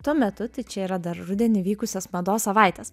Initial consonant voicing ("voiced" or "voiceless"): voiceless